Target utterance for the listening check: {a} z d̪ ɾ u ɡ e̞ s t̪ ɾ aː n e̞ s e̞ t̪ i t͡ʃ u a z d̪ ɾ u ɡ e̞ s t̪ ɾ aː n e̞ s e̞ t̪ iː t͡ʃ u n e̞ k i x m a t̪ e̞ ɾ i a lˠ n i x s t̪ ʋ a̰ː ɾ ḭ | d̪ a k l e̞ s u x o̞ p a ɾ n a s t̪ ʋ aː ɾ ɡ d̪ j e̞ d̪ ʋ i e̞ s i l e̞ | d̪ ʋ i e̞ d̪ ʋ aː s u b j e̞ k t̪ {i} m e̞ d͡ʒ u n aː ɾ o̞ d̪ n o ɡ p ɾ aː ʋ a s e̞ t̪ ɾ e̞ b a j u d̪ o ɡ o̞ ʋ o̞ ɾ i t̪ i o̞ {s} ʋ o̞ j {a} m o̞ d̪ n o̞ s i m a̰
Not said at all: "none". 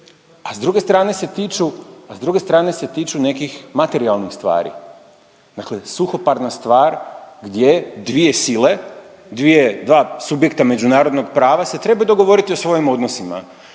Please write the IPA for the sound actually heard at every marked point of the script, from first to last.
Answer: a, a, s, i

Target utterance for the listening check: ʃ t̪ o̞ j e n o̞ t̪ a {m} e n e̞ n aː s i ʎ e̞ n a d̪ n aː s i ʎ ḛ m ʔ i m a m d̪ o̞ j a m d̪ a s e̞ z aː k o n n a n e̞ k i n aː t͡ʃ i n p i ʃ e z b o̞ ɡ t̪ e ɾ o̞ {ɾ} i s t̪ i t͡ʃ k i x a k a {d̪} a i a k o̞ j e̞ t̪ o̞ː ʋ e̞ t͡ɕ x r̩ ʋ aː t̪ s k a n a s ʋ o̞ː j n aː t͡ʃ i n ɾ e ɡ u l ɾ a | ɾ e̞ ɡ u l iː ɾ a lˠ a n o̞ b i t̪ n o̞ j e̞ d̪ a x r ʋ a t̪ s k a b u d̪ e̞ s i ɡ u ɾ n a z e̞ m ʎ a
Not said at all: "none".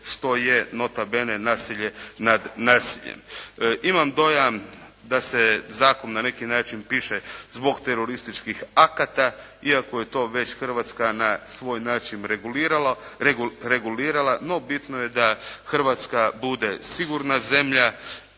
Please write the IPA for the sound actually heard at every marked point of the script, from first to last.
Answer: b, ɾ, t̪

